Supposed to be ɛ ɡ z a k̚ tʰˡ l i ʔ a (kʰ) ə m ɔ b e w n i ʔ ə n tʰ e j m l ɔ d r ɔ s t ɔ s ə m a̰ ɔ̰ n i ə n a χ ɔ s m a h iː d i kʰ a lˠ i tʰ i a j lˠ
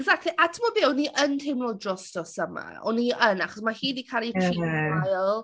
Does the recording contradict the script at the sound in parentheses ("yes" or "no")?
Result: yes